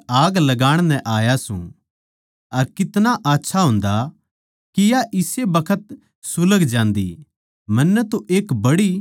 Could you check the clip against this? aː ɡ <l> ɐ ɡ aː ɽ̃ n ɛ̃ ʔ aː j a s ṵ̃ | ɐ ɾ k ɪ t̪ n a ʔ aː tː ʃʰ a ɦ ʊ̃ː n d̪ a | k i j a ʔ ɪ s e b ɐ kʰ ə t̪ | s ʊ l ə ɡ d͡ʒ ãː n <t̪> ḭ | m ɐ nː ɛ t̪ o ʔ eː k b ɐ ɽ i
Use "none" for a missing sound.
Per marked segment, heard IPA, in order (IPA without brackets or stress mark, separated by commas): l, d̪